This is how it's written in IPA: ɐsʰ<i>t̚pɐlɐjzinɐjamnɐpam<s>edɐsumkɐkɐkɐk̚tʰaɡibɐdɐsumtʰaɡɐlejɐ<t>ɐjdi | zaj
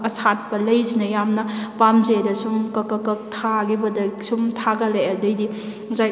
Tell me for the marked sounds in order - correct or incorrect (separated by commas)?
incorrect, incorrect, incorrect